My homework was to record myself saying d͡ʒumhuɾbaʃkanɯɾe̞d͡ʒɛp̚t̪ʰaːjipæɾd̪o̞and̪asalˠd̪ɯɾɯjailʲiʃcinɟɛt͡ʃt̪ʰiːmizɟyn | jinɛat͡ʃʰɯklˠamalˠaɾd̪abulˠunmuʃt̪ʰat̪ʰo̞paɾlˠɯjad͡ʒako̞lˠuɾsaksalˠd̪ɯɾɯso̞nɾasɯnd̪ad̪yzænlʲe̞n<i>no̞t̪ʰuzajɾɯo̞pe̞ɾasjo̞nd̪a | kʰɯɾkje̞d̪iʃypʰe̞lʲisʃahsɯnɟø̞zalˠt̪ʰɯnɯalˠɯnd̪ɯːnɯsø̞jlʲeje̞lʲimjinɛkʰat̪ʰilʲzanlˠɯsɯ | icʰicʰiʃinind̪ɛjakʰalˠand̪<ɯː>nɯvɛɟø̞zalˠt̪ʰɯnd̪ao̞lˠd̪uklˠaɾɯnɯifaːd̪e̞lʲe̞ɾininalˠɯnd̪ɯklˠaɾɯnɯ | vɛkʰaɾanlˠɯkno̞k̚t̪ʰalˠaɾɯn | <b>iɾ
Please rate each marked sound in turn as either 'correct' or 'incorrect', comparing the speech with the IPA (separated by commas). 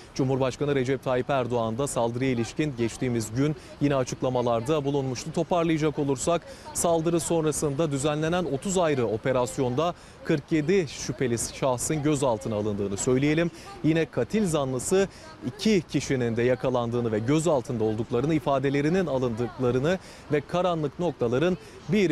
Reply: incorrect, correct, correct